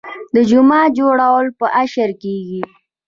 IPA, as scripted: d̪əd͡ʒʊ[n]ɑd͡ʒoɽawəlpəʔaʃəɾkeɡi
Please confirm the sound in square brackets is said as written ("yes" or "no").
no